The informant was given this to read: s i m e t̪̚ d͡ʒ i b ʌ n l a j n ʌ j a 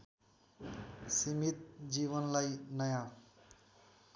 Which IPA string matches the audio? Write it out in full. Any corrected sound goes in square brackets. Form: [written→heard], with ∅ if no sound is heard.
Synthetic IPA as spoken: s i m [e→i] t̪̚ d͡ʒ i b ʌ n l a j n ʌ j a